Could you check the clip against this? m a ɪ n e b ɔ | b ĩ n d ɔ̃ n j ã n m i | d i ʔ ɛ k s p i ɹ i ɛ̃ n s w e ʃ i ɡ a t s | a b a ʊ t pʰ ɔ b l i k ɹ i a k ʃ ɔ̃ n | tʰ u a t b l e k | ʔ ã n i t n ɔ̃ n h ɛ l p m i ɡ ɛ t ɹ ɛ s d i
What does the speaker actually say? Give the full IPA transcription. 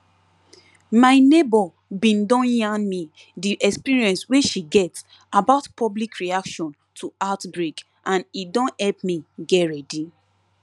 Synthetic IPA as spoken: m a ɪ n e b ɔ | b ĩ n d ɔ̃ n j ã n m i | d i ʔ ɛ k s p i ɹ i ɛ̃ n s w e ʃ i ɡ ɛ t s | a b a ʊ t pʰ ɔ b l i k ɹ i a k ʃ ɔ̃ n | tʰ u a t b ɹ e k | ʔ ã n i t d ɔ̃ n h ɛ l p m i ɡ ɛ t ɹ ɛ d i

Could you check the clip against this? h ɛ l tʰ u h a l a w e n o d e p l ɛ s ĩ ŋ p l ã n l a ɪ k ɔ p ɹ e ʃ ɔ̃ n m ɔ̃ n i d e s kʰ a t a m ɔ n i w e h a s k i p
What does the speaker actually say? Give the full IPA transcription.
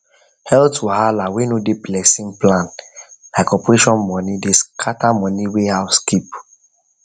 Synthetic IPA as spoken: h ɛ l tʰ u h a l a w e n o d e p l ɛ s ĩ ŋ p l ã n l a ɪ k ɔ p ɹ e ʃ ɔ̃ n m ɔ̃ n i d e s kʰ a t a m ɔ n i w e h a s k i p

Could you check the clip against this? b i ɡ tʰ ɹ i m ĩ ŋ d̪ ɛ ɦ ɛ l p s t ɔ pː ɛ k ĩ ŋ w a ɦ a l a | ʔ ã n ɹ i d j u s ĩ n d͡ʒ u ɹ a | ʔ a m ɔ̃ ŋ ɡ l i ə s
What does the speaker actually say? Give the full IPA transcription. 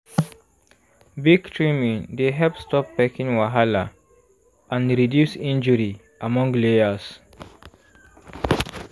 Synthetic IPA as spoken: b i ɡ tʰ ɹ i m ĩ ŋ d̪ e ɦ ɛ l p s t ɔ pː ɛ k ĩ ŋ w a ɦ a l a | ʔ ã n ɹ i d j u s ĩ n d͡ʒ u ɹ i | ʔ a m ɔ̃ ŋ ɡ l e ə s

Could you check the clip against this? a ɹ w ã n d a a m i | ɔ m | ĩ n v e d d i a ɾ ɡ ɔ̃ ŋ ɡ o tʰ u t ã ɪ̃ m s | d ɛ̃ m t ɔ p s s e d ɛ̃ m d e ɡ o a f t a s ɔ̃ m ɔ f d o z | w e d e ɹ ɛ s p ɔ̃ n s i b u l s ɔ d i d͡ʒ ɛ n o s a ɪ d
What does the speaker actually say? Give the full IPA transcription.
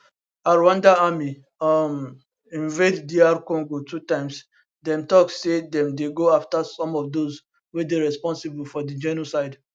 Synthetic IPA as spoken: a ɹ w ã n d a a m i | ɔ m | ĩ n v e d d i a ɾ k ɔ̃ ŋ ɡ o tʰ u t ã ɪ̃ m s | d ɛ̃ m t ɔ k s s e d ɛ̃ m d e ɡ o a f t a s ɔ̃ m ɔ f d o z | w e d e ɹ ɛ s p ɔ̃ n s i b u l f ɔ d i d͡ʒ ɛ n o s a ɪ d

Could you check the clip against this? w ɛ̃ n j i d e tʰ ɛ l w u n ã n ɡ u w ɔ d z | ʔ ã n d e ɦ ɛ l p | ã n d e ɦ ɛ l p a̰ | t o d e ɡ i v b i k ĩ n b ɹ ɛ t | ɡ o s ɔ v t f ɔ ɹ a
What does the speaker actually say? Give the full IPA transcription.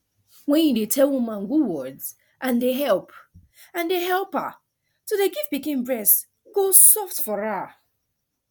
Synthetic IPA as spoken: w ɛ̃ n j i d e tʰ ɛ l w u m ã n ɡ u w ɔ d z | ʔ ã n d e ɦ ɛ l p | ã n d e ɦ ɛ l p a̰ | t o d e ɡ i v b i k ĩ n b ɹ ɛ s | ɡ o s ɔ f t f ɔ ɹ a

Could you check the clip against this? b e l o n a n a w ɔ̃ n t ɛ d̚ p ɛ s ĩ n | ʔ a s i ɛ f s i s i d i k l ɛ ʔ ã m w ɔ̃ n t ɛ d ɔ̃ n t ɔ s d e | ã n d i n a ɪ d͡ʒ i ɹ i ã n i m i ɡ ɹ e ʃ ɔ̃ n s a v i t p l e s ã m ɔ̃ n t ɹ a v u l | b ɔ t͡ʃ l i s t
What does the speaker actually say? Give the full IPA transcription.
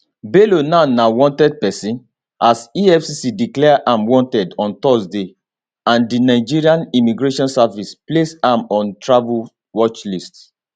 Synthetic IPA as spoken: b e l o n a n a w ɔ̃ n t ɛ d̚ p ɛ s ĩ n | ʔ a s i ɛ f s i s i d i k l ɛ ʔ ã m w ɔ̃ n t ɛ d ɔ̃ n t ɔ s d e | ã n d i n a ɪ d͡ʒ i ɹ i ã n i m i ɡ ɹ e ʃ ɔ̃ n s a v i s p l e s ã m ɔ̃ n t ɹ a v u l | w ɔ t͡ʃ l i s t

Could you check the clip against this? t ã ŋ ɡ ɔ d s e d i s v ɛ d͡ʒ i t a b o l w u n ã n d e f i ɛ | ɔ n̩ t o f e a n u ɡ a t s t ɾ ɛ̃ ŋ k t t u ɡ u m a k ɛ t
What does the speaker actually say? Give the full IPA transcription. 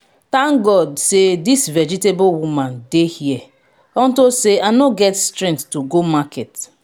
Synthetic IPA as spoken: t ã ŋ ɡ ɔ d s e d i s v ɛ d͡ʒ i t e b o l w u m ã n d e h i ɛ | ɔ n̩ t o s e a n o ɡ ɛ t s t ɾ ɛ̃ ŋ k t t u ɡ o m a k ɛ t

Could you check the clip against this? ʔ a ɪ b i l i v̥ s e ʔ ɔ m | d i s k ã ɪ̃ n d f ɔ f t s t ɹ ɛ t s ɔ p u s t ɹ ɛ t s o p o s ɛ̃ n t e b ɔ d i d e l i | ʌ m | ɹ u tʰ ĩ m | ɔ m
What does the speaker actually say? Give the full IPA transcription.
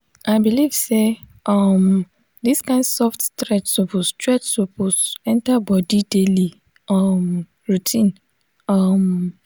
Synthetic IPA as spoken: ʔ a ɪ b i l i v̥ s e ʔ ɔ m | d i s k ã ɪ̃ n d s ɔ f t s t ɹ ɛ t s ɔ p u s t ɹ ɛ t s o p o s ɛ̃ n t a b ɔ d i d e l i | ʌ m | ɹ u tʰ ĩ n | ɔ m

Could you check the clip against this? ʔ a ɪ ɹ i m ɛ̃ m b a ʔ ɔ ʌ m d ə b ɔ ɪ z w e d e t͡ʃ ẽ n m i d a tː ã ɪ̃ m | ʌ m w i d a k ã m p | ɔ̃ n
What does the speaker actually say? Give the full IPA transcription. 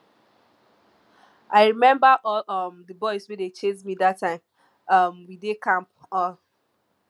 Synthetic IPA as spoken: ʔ a ɪ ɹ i m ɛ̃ m b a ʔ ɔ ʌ m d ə b ɔ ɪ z w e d e t͡ʃ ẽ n m i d a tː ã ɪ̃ m | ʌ m w i d e k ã m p | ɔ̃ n

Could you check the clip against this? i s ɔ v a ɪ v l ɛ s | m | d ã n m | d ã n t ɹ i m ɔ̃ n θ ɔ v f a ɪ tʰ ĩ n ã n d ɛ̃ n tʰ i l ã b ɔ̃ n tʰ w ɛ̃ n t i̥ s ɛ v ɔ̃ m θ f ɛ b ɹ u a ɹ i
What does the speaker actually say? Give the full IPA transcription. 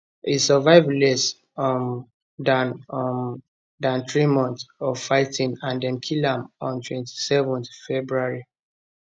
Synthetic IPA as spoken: i s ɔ v a ɪ v l ɛ s | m | d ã n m | d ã n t ɹ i m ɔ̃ n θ ɔ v f a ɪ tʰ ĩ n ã n d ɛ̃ n kʰ i l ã m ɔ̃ n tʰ w ɛ̃ n t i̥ s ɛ v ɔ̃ n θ f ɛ b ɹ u a ɹ i

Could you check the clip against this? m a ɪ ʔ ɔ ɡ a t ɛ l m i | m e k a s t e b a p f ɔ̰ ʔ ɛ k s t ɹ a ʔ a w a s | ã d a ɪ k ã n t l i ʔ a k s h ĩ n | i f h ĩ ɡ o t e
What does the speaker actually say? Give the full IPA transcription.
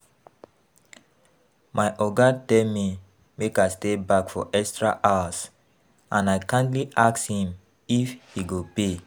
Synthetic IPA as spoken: m a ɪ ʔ ɔ ɡ a t ɛ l m i | m e k a s t e b a k f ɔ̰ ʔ ɛ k s t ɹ a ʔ a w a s | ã n a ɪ k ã n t l i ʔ a k s h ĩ m | i f h i ɡ o p e

